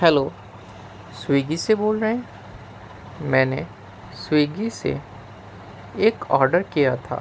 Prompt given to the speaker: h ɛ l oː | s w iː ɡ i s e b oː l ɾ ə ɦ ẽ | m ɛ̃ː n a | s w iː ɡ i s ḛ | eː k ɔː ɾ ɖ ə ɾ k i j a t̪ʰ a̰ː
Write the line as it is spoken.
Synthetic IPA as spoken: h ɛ l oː | s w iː ɡ i s e b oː l ɾ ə ɦ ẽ | m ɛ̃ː n e | s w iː ɡ i s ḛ | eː k ɔː ɾ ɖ ə ɾ k i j a t̪ʰ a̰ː